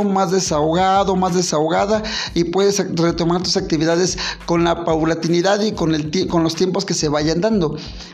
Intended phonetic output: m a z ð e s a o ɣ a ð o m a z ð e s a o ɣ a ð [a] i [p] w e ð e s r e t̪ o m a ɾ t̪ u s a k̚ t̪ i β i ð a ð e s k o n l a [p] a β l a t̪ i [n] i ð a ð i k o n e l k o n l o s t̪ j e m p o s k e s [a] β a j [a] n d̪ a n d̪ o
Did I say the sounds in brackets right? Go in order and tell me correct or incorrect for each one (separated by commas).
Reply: correct, correct, correct, correct, incorrect, correct